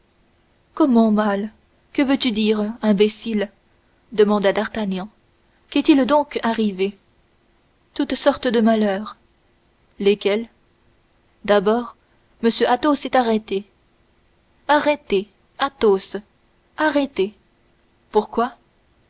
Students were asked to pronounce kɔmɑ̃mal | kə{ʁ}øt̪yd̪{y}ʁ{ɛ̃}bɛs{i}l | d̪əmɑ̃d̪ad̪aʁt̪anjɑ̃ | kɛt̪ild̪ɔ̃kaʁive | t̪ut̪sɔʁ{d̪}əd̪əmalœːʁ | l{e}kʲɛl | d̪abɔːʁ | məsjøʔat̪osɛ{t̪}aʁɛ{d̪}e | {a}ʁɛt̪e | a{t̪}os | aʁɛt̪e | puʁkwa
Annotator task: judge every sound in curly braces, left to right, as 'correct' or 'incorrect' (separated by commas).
incorrect, incorrect, correct, correct, incorrect, correct, correct, incorrect, correct, correct